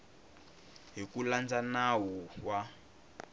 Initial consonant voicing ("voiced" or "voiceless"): voiced